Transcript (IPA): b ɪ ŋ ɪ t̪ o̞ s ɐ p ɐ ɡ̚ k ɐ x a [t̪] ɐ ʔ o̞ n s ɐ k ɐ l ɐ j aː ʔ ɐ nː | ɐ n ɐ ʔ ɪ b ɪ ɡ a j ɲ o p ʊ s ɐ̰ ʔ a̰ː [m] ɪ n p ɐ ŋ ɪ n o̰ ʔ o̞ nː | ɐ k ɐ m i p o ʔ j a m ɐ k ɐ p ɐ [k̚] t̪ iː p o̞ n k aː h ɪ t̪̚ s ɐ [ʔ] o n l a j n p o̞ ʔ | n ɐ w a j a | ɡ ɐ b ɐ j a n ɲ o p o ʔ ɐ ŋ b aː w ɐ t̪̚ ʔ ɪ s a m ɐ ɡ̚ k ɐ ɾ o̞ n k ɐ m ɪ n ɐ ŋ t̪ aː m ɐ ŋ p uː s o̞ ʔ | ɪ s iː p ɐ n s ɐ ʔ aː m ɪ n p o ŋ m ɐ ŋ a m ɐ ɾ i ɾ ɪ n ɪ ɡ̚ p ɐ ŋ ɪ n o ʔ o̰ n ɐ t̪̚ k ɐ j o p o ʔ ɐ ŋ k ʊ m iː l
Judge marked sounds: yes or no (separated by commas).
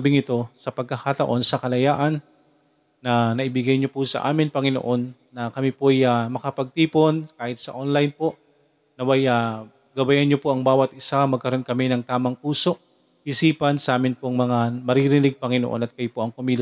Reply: yes, yes, no, yes